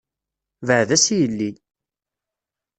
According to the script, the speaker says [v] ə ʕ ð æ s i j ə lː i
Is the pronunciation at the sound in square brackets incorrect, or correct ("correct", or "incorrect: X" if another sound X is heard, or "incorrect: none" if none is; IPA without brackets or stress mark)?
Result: correct